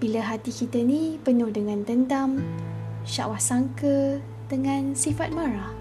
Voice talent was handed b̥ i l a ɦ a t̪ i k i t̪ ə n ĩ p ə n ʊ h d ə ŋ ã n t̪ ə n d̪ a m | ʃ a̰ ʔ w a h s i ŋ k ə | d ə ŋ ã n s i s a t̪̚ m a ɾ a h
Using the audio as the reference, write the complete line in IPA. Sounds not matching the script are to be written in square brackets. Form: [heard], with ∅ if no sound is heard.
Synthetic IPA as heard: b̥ i l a ɦ a t̪ i k i t̪ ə n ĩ p ə n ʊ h d ə ŋ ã n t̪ ə n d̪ a m | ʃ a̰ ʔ w a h s [a] ŋ k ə | d ə ŋ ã n s i [f] a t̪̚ m a ɾ a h